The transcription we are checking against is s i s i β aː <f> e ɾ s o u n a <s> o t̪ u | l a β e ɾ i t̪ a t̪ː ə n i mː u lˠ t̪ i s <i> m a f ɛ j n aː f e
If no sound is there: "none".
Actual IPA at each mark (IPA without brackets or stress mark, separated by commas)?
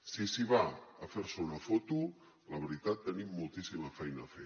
f, f, i